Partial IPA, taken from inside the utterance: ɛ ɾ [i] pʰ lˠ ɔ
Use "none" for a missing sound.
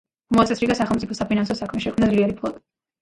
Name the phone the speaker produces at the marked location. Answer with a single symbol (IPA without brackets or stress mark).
i